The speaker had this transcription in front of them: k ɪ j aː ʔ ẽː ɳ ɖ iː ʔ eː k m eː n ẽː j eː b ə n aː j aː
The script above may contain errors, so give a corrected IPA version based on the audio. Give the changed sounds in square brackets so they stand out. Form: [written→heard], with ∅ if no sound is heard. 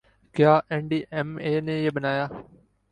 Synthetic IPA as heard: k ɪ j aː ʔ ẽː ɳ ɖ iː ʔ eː [k→∅] m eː n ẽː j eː b ə n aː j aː